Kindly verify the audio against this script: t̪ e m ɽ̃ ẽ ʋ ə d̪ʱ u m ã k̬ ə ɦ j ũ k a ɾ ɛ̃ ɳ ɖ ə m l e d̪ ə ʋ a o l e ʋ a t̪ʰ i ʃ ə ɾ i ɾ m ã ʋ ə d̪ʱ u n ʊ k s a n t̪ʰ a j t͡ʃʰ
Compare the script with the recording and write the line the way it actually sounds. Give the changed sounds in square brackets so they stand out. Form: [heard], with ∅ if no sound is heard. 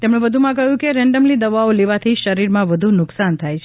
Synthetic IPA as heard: t̪ e m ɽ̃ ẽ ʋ ə d̪ʱ u m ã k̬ ə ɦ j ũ k [e] ɾ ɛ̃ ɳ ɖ ə m l [i] d̪ ə ʋ a o l e ʋ a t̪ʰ i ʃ ə ɾ i ɾ m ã ʋ ə d̪ʱ u n ʊ k s a n t̪ʰ a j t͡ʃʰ